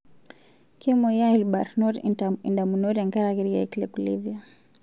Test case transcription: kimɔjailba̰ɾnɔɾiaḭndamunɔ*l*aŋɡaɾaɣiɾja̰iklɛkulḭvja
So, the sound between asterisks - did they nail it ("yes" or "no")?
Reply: no